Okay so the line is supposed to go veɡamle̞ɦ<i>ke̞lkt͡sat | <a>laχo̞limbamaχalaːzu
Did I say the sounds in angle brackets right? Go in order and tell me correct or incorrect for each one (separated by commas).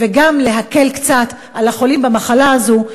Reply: incorrect, correct